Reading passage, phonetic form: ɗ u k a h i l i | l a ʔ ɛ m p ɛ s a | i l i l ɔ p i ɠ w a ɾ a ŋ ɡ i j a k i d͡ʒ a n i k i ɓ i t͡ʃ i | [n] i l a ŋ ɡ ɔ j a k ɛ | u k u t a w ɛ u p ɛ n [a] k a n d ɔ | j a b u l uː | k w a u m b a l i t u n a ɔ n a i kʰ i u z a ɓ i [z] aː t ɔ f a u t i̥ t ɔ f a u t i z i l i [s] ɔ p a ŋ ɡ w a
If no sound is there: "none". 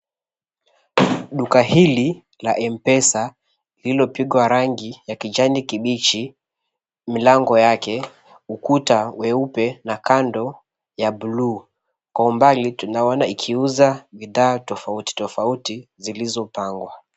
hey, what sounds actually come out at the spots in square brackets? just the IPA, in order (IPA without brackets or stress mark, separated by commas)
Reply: m, a, ð, z